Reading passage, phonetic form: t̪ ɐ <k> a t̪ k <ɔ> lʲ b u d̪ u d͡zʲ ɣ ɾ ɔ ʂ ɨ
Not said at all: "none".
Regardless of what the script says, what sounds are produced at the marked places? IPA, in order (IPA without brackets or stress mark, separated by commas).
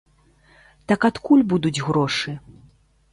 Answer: k, u